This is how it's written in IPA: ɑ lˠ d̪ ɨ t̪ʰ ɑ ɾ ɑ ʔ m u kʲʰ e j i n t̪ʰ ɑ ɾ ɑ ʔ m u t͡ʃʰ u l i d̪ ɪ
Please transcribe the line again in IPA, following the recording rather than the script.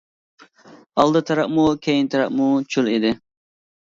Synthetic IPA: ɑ lˠ d̪ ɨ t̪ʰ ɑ ɾ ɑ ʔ m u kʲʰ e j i n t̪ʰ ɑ ɾ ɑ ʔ m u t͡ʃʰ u l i d̪ ɪ